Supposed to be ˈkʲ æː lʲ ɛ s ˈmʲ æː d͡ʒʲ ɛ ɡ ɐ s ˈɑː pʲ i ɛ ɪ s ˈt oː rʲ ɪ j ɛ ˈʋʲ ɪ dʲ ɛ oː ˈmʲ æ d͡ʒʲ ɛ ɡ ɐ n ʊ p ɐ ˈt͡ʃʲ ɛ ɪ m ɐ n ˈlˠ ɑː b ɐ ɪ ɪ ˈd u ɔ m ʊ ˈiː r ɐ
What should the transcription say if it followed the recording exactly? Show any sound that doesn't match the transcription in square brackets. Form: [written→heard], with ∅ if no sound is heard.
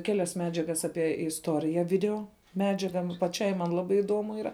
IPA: ˈkʲ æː lʲ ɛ s ˈmʲ æː d͡ʒʲ ɛ ɡ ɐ s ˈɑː pʲ i ɛ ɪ s ˈt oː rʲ ɪ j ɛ ˈʋʲ ɪ dʲ ɛ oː ˈmʲ [æ→æː] d͡ʒʲ ɛ ɡ ɐ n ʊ p ɐ ˈt͡ʃʲ ɛ ɪ m ɐ n ˈlˠ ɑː b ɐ ɪ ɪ ˈd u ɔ m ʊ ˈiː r ɐ